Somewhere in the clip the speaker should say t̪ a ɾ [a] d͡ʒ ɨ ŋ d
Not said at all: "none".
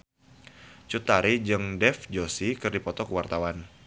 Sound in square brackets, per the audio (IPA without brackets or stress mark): i